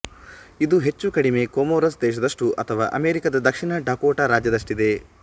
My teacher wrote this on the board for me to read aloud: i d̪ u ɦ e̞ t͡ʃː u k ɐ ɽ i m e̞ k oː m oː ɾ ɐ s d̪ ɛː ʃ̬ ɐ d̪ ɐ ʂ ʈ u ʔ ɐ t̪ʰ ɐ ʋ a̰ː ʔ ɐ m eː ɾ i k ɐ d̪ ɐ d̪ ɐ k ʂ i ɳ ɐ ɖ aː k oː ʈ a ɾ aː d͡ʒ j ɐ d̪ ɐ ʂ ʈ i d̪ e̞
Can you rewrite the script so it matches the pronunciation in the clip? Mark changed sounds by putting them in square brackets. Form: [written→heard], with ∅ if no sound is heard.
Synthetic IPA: i d̪ u ɦ e̞ t͡ʃː u k ɐ ɽ i m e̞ k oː m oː ɾ ɐ s d̪ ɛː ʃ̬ ɐ d̪ ɐ ʂ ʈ u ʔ ɐ t̪ʰ ɐ ʋ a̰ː ʔ ɐ m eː ɾ i k ɐ d̪ ɐ d̪ ɐ k ʂ i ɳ ɐ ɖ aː k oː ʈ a ɾ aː d͡ʒ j ɐ d̪ ɐ ʂ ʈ i d̪ e̞

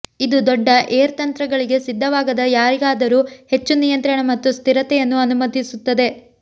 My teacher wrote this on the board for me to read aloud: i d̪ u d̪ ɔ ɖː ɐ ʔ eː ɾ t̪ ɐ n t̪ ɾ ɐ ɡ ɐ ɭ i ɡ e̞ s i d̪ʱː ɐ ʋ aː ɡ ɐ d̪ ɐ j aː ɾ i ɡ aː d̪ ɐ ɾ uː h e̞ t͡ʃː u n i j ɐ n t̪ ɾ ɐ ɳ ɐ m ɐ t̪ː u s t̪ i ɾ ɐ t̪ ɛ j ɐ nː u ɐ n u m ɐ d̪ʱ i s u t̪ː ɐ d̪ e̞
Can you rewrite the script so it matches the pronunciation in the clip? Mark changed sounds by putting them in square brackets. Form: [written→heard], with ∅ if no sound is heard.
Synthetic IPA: i d̪ u d̪ ɔ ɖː ɐ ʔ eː ɾ t̪ ɐ n t̪ ɾ ɐ ɡ ɐ ɭ i ɡ e̞ s i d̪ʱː ɐ ʋ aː ɡ ɐ d̪ ɐ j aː ɾ i ɡ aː d̪ ɐ ɾ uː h e̞ t͡ʃː u n i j ɐ n t̪ ɾ ɐ ɳ ɐ m ɐ t̪ː u s t̪ i ɾ ɐ t̪ ɛ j ɐ nː u ɐ n u m ɐ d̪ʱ i s u t̪ː ɐ d̪ e̞

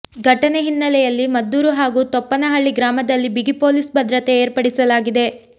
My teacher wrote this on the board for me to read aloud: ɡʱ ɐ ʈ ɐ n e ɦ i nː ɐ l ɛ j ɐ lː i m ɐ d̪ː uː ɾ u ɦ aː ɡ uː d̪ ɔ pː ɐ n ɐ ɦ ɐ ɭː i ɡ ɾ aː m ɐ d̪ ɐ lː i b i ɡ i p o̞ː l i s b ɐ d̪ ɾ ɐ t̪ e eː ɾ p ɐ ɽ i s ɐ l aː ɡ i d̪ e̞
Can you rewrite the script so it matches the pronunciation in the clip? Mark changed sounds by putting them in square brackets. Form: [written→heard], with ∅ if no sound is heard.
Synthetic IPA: ɡʱ ɐ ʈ ɐ n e ɦ i nː ɐ l ɛ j ɐ lː i m ɐ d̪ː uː ɾ u ɦ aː ɡ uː [d̪→t̪] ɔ pː ɐ n ɐ ɦ ɐ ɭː i ɡ ɾ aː m ɐ d̪ ɐ lː i b i ɡ i p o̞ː l i s b ɐ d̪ ɾ ɐ t̪ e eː ɾ p ɐ ɽ i s ɐ l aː ɡ i d̪ e̞

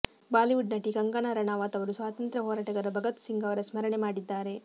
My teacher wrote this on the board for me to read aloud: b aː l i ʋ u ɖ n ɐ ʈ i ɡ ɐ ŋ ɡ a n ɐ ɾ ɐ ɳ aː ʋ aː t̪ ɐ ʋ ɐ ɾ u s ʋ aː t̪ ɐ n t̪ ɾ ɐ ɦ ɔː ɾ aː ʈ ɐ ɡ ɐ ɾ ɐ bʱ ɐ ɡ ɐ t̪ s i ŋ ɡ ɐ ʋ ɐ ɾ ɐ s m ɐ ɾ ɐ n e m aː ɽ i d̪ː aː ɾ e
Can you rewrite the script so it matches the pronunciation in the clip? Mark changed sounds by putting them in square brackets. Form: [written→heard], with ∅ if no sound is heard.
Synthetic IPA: b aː l i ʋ u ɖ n ɐ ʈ i ɡ ɐ ŋ ɡ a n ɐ ɾ ɐ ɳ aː ʋ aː t̪ ɐ ʋ ɐ ɾ u s ʋ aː t̪ ɐ n t̪ ɾ ɐ ɦ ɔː ɾ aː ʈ ɐ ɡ ɐ ɾ ɐ bʱ ɐ ɡ ɐ t̪ s i ŋ ɡ ɐ ʋ ɐ ɾ ɐ s m ɐ ɾ ɐ [n→ɳ] e m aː ɽ i d̪ː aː ɾ e

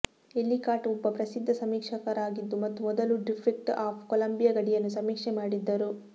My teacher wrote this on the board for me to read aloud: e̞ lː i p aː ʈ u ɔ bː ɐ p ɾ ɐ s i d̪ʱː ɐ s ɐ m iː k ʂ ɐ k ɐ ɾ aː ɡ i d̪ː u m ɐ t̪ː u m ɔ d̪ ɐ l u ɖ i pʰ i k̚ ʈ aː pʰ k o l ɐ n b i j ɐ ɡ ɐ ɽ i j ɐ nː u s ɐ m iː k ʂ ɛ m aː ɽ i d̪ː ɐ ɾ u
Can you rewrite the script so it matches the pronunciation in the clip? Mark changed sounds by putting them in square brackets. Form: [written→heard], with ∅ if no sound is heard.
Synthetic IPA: e̞ lː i [p→k] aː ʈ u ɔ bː ɐ p ɾ ɐ s i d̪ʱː ɐ s ɐ m iː k ʂ ɐ k ɐ ɾ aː ɡ i d̪ː u m ɐ t̪ː u m ɔ d̪ ɐ l u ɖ i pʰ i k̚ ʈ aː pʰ k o l ɐ [n→m] b i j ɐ ɡ ɐ ɽ i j ɐ nː u s ɐ m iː k ʂ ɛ m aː ɽ i d̪ː ɐ ɾ u

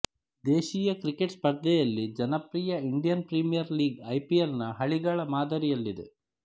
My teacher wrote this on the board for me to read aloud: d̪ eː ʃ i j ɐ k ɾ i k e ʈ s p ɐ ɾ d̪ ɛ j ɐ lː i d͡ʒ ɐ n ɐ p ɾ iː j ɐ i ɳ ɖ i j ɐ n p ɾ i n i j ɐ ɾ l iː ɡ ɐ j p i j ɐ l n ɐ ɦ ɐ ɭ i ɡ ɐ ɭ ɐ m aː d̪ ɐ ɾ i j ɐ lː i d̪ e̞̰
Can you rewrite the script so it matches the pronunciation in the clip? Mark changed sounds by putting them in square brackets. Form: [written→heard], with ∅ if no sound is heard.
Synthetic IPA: d̪ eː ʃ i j ɐ k ɾ i k e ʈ s p ɐ ɾ d̪ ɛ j ɐ lː i d͡ʒ ɐ n ɐ p ɾ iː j ɐ i ɳ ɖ i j ɐ n p ɾ i [n→m] i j ɐ ɾ l iː ɡ ɐ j p i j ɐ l n ɐ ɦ ɐ ɭ i ɡ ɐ ɭ ɐ m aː d̪ ɐ ɾ i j ɐ lː i d̪ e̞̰

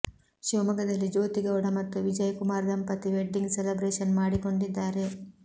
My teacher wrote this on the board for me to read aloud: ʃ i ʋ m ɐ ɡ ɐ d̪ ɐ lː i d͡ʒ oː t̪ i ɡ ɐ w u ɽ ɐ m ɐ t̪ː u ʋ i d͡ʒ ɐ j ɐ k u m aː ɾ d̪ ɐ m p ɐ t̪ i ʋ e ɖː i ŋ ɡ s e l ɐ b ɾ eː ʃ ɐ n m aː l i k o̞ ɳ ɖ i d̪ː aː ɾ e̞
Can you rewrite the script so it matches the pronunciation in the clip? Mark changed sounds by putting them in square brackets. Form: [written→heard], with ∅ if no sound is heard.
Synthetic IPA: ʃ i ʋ m ɐ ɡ ɐ d̪ ɐ lː i d͡ʒ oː t̪ i ɡ ɐ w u ɽ ɐ m ɐ t̪ː u ʋ i d͡ʒ ɐ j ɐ k u m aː ɾ d̪ ɐ m p ɐ t̪ i ʋ e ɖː i ŋ ɡ s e l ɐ b ɾ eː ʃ ɐ n m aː [l→ɽ] i k o̞ ɳ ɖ i d̪ː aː ɾ e̞

